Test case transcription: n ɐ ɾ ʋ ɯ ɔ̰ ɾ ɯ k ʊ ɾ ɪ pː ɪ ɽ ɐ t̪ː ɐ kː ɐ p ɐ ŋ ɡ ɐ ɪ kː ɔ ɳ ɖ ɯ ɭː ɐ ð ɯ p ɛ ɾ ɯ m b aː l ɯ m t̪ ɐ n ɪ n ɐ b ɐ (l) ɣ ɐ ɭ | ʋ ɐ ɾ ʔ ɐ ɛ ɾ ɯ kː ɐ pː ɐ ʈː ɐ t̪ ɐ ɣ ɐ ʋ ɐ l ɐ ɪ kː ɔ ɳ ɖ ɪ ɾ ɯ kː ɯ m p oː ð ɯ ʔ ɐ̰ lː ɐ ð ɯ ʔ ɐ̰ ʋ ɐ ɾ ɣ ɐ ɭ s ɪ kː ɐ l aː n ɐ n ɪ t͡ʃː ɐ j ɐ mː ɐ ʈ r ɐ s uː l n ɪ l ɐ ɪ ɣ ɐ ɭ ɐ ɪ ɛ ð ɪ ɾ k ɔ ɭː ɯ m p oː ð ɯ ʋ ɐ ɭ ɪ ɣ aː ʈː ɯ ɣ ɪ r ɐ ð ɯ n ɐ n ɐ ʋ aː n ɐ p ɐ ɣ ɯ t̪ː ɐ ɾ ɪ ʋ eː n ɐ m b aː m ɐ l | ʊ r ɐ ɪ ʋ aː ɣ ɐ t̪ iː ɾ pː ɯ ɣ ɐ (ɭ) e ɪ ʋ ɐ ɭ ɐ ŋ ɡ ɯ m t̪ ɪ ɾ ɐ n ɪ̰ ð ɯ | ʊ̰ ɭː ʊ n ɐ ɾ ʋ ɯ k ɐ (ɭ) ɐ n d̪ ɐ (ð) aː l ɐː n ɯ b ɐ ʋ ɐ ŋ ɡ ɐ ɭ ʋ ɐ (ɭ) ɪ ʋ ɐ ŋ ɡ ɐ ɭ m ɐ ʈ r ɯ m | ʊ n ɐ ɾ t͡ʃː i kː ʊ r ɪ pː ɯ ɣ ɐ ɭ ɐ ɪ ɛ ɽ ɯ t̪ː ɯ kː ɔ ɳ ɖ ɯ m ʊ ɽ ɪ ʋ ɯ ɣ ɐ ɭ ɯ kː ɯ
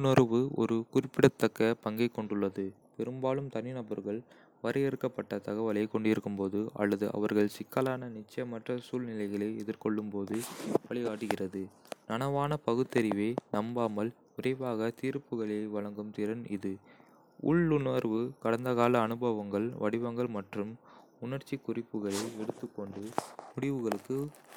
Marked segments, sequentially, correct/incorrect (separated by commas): incorrect, correct, incorrect, incorrect, incorrect